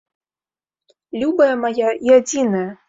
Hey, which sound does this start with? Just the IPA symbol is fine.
lʲ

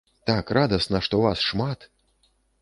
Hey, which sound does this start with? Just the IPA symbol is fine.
t̪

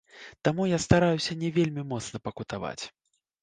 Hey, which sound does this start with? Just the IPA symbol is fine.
t̪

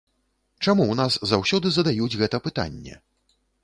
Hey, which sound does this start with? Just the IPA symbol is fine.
t͡ʂ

